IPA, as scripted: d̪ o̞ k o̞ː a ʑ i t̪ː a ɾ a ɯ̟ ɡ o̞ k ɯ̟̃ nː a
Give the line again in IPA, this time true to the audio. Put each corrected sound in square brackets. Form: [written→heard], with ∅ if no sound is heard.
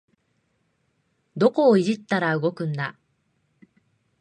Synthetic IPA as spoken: d̪ o̞ k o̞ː [a→i] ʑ i t̪ː a ɾ a ɯ̟ ɡ o̞ k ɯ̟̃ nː a